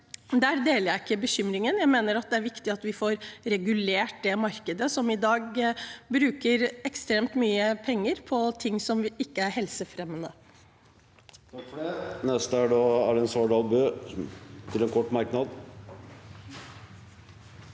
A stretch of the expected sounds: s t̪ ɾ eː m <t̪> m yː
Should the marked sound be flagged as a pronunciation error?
no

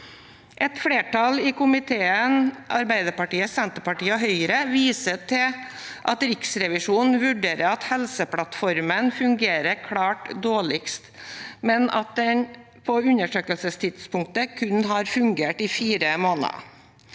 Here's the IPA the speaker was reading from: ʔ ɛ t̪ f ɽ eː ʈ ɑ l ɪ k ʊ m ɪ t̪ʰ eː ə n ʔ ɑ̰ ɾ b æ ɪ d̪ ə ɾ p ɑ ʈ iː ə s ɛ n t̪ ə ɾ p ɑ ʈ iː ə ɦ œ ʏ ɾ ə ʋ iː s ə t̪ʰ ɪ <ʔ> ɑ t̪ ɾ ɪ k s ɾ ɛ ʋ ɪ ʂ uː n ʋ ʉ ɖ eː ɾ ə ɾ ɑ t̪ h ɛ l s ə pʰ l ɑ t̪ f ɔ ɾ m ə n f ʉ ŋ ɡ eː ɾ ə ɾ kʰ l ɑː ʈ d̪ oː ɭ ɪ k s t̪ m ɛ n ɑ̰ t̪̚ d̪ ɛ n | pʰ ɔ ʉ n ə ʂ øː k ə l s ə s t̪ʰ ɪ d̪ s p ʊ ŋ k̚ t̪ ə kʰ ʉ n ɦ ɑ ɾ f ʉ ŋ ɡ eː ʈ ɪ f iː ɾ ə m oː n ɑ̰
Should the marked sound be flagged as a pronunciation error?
no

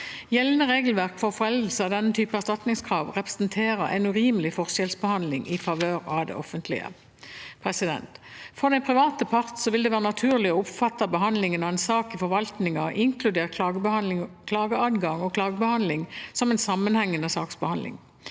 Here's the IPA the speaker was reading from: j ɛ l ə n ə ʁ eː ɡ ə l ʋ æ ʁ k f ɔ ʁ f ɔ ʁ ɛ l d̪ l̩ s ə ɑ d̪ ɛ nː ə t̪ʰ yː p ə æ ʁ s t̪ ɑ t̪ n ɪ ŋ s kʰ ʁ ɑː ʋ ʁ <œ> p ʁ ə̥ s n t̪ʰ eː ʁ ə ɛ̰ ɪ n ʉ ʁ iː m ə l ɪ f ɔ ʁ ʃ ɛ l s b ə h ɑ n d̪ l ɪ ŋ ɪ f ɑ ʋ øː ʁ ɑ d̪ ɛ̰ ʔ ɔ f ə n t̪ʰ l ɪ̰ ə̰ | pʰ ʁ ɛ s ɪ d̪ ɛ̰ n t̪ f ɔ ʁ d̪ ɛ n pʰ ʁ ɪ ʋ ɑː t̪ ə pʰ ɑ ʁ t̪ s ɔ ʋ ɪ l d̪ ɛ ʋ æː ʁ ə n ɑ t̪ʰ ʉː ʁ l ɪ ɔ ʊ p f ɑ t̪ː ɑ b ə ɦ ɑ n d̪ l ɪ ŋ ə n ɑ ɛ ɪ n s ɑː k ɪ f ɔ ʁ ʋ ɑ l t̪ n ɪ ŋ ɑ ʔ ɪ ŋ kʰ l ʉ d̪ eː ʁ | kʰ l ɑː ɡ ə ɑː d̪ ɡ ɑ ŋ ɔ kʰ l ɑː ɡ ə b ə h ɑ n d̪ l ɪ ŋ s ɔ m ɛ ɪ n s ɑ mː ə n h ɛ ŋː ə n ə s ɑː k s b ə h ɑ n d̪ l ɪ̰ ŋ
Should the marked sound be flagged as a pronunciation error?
yes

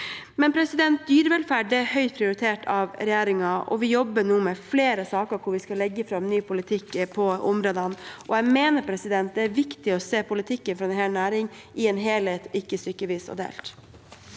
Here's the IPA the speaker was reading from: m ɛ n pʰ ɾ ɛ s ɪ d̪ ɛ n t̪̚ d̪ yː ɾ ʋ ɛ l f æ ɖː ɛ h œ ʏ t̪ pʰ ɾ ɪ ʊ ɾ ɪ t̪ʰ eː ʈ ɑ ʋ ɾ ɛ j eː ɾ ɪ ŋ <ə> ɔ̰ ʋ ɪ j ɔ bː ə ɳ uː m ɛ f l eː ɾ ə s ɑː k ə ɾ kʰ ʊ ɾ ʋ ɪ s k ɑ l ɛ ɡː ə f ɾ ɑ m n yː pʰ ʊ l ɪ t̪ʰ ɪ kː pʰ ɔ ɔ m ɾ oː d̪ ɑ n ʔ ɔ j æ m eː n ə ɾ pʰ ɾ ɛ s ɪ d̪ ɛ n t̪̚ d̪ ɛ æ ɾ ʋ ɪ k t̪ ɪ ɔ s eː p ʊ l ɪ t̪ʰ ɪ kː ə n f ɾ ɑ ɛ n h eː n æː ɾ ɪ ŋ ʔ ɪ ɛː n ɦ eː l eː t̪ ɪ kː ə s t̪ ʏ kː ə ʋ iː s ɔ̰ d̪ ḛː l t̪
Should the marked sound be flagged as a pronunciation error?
yes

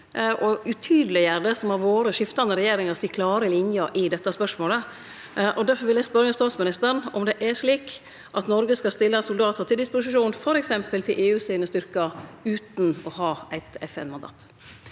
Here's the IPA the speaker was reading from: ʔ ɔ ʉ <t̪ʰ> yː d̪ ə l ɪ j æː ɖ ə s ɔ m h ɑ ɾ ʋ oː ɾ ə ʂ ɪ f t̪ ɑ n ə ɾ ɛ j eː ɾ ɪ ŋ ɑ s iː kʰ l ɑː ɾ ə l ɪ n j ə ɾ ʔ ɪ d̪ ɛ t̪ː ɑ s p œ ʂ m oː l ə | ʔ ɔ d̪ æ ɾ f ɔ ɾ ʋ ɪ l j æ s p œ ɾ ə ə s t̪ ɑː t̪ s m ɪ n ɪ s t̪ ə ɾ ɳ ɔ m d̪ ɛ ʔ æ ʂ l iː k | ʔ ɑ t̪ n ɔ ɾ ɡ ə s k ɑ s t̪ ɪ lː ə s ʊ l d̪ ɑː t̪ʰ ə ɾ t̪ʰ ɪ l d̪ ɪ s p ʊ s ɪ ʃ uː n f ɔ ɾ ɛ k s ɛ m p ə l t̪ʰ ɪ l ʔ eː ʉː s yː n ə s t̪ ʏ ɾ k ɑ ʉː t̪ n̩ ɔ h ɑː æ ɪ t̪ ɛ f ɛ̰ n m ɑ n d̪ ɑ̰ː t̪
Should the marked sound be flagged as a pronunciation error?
no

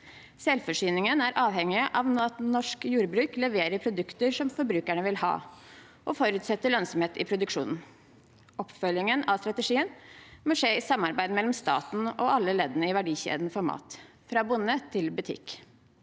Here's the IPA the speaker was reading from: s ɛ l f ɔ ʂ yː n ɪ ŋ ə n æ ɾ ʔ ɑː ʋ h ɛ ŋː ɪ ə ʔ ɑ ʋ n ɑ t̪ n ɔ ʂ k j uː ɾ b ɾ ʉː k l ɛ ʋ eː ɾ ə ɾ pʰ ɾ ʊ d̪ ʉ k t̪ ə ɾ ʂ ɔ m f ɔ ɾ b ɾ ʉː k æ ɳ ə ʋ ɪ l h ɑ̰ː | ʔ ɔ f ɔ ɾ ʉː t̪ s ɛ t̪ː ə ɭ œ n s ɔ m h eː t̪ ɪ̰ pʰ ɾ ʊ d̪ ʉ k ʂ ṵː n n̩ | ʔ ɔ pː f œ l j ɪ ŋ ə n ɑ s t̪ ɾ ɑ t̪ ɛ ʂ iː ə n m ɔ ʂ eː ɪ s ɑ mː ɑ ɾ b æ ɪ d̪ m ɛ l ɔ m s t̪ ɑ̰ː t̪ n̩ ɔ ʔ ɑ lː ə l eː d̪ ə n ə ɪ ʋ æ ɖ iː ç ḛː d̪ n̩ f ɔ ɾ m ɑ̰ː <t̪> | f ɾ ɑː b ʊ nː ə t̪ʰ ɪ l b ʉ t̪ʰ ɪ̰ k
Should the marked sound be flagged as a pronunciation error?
no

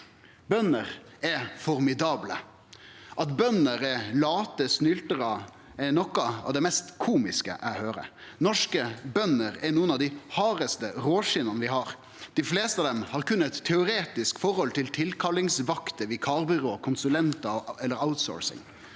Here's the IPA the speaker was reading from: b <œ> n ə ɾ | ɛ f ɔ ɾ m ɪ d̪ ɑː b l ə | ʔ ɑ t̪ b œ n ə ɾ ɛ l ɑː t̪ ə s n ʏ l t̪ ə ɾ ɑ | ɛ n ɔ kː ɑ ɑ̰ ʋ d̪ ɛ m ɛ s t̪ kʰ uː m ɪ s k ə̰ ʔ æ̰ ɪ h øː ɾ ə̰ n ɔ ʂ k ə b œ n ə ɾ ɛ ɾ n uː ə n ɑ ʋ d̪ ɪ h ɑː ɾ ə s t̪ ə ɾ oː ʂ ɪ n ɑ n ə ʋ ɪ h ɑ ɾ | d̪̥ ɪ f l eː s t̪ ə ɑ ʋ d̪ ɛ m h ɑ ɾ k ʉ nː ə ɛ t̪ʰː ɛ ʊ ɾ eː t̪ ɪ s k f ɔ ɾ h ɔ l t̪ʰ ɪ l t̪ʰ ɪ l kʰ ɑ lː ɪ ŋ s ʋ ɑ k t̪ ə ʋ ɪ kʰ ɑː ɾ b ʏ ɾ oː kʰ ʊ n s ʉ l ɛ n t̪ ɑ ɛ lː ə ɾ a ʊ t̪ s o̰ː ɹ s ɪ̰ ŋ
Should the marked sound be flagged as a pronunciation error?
no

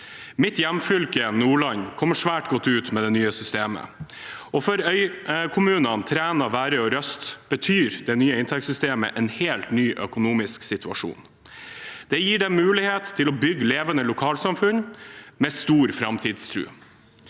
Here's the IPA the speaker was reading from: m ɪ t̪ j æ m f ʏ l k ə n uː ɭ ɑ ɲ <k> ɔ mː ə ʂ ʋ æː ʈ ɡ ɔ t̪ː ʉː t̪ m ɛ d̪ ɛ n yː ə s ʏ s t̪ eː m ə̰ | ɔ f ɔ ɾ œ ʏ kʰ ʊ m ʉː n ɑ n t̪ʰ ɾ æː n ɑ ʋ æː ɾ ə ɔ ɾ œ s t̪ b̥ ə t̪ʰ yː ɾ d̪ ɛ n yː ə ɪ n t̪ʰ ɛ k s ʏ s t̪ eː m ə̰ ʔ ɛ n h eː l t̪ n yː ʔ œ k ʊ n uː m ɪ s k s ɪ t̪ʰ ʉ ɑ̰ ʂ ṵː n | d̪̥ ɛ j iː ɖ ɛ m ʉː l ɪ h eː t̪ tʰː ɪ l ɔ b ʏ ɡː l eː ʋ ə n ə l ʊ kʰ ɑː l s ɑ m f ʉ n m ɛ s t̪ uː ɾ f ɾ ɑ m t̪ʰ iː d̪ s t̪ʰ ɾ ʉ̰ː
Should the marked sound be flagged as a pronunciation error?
yes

